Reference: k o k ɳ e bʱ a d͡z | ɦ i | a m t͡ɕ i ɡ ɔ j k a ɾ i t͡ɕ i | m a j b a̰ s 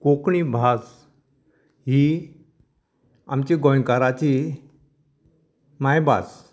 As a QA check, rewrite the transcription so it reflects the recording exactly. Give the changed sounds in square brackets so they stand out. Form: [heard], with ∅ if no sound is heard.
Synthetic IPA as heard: k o k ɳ [i] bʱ a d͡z | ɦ i | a m t͡ɕ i ɡ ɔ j k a ɾ [a] t͡ɕ i | m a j b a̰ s